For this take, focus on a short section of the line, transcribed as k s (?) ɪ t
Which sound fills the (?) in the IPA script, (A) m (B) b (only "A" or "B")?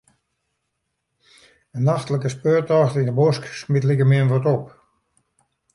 A